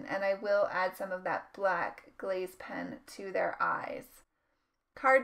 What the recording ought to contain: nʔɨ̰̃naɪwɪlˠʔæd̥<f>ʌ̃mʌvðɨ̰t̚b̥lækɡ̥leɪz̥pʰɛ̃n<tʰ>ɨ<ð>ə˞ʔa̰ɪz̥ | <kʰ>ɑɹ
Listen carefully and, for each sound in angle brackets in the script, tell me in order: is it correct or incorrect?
incorrect: s, correct, correct, correct

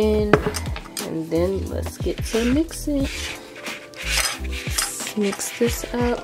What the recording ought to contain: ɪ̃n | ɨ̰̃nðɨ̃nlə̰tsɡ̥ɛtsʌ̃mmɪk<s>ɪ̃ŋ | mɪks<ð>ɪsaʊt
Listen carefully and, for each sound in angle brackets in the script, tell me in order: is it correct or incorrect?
correct, correct

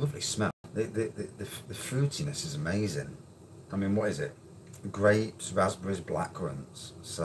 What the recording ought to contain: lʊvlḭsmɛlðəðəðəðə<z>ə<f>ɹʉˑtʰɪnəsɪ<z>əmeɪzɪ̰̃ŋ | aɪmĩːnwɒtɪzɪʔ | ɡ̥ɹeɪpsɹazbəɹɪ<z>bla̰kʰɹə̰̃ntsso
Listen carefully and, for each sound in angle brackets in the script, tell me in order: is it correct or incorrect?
incorrect: ð, correct, correct, correct

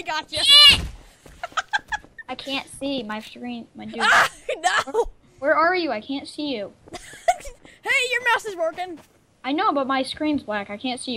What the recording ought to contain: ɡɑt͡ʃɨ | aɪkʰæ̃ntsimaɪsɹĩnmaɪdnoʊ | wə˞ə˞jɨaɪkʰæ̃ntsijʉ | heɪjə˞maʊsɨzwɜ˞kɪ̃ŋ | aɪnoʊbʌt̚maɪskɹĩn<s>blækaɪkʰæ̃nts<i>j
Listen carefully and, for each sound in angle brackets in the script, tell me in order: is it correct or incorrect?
incorrect: z, correct

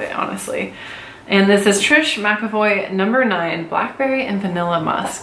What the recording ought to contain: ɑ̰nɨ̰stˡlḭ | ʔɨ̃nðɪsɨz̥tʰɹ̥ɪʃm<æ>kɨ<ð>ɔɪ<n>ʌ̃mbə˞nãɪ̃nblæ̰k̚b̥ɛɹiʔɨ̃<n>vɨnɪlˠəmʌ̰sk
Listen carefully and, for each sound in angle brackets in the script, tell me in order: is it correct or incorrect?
correct, incorrect: v, correct, correct

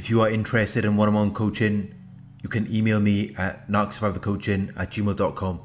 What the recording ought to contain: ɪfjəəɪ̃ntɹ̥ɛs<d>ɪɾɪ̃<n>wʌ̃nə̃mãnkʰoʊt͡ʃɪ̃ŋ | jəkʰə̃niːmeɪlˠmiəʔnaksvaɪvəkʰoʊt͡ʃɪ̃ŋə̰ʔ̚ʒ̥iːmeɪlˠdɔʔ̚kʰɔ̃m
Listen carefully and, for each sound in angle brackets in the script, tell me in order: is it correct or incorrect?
incorrect: t, correct

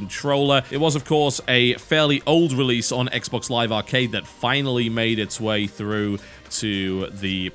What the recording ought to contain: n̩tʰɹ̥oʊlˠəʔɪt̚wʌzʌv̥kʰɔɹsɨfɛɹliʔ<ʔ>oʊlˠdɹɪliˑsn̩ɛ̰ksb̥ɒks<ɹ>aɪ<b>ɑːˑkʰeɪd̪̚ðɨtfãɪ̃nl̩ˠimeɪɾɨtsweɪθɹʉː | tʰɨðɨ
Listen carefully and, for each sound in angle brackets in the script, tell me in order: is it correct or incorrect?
correct, incorrect: l, incorrect: v

